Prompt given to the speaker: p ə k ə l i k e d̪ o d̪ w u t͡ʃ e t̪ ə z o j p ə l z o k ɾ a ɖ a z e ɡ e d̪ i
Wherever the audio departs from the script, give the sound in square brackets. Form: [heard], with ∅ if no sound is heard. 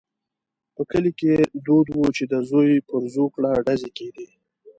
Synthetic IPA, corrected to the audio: p ə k ə l i k e d̪ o d̪ w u t͡ʃ e [d̪] ə z o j p ə [ɾ] z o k [ɽ] a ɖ a z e [k] e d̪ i